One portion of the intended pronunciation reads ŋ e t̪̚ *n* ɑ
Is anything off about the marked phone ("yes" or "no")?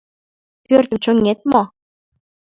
yes